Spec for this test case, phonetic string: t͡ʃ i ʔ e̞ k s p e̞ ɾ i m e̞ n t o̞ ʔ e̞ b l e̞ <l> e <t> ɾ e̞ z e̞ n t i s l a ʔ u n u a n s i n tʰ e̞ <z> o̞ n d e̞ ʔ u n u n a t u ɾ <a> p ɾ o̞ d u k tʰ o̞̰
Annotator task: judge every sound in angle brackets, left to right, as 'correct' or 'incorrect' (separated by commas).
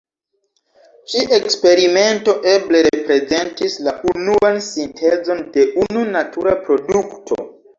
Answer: incorrect, incorrect, correct, correct